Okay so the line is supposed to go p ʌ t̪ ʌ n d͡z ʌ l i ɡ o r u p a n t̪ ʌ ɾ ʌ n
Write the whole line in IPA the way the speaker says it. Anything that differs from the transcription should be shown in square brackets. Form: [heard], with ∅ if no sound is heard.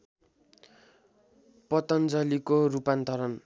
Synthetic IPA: p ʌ t̪ ʌ n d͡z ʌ l i [k] o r u p a n t̪ ʌ ɾ ʌ n